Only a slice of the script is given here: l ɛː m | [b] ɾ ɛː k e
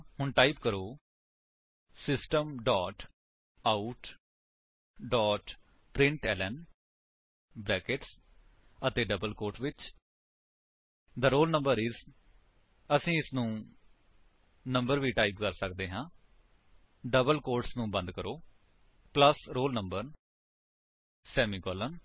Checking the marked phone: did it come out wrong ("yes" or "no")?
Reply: no